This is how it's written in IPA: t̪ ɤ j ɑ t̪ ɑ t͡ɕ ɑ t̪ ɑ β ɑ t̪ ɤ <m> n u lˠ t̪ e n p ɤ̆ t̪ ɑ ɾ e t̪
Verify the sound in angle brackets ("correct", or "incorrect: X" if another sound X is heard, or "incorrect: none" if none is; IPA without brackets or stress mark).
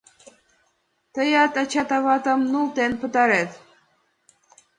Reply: correct